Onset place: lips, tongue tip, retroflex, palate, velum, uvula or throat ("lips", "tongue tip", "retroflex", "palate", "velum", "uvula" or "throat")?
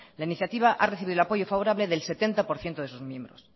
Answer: tongue tip